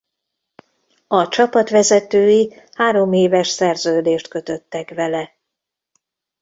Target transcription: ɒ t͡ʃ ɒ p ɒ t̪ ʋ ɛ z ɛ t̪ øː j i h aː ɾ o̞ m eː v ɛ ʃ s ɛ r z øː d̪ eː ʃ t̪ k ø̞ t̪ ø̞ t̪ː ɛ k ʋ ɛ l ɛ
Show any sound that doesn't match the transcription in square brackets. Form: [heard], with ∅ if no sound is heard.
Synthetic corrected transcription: ɒ t͡ʃ ɒ p ɒ t̪ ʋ ɛ z ɛ t̪ øː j i h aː ɾ o̞ m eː v ɛ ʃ s ɛ r z øː d̪ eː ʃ t̪ k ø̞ t̪ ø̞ t̪ː ɛ k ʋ ɛ l ɛ